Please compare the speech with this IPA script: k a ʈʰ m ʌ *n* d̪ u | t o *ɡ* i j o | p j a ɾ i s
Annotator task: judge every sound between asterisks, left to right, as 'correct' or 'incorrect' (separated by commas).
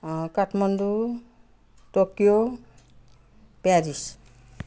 correct, incorrect